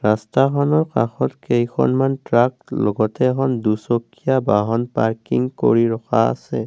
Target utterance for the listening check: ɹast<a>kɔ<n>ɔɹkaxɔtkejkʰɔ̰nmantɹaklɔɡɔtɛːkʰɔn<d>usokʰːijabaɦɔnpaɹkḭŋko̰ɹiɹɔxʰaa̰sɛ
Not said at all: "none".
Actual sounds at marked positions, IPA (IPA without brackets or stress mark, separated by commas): a, n, d